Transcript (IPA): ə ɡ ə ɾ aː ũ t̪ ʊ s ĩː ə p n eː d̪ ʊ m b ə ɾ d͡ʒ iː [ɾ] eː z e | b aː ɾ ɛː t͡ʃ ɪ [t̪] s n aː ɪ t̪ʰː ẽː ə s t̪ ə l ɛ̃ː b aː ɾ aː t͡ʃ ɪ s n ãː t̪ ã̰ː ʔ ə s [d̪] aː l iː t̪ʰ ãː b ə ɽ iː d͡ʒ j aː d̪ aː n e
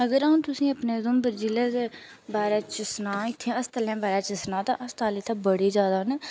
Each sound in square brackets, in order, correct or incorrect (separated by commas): incorrect, incorrect, incorrect